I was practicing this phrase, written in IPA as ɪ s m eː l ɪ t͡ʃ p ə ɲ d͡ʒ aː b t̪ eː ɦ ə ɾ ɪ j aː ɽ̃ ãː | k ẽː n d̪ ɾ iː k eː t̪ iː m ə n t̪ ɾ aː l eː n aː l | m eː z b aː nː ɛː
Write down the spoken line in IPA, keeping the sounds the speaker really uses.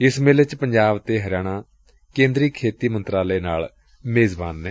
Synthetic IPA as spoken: ɪ s m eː l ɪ t͡ʃ p ə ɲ d͡ʒ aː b t̪ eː ɦ ə ɾ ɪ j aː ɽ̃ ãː | k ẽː n d̪ ɾ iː kʰ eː t̪ iː m ə n t̪ ɾ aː l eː n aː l | m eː z b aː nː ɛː